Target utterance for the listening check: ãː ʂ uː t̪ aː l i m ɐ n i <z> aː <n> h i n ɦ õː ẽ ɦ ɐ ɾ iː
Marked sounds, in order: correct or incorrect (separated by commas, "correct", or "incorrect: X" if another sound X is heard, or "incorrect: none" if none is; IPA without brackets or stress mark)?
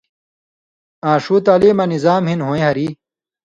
correct, incorrect: m